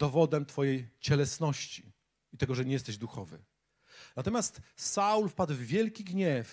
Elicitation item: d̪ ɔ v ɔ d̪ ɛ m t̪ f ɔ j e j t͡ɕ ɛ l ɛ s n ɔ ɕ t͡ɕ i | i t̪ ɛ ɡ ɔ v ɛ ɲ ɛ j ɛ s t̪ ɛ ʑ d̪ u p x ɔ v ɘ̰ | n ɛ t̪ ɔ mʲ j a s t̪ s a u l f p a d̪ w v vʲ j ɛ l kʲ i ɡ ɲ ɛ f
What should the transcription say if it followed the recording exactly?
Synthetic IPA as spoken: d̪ ɔ v ɔ d̪ ɛ m t̪ f ɔ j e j t͡ɕ ɛ l ɛ s n ɔ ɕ t͡ɕ i | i t̪ ɛ ɡ ɔ ʐ ɛ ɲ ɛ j ɛ s t̪ ɛ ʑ d̪ u x ɔ v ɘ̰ | n a t̪ ɔ mʲ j a s t̪ s a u l f p a d̪ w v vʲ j ɛ l kʲ i ɡ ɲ ɛ f